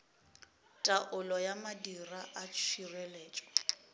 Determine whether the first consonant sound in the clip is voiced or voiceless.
voiceless